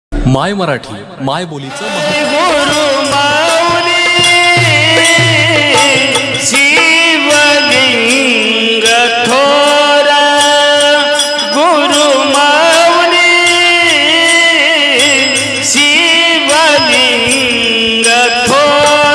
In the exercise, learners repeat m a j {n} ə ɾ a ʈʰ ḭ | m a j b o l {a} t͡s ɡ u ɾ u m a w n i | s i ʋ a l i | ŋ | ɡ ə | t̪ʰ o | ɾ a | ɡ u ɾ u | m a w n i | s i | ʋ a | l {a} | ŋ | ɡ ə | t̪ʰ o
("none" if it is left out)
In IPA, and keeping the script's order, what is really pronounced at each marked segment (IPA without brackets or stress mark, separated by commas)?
m, i, i